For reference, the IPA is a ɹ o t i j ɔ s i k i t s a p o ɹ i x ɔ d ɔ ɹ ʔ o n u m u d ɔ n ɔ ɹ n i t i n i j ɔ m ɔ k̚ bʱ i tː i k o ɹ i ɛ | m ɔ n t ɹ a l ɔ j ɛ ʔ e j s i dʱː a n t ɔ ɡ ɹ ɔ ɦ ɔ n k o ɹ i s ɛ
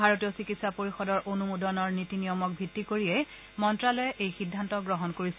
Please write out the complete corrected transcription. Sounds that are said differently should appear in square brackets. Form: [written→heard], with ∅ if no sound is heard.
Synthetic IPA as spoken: a ɹ o t i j ɔ s i k i t s a p o ɹ i x ɔ d ɔ ɹ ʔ o n u m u d ɔ n ɔ ɹ n i t i n i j ɔ m ɔ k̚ bʱ i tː i k o ɹ i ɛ | m ɔ n t ɹ a l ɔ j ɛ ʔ e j [s→x] i dʱː a n t ɔ ɡ ɹ ɔ ɦ ɔ n k o ɹ i s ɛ